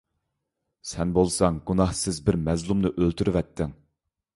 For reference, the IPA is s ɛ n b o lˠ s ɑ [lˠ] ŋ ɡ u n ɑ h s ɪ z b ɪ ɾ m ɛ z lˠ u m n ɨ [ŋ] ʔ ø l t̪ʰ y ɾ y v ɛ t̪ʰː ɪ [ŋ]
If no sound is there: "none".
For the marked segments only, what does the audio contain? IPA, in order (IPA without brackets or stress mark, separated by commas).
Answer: none, none, ŋ